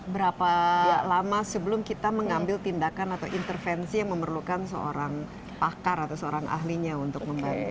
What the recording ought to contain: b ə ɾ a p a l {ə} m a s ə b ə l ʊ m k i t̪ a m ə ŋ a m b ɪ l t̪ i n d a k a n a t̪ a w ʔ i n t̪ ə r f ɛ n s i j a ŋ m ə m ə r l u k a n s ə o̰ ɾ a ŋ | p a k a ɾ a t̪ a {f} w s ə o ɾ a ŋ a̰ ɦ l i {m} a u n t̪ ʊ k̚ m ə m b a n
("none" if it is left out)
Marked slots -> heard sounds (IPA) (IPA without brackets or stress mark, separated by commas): a, none, ɲ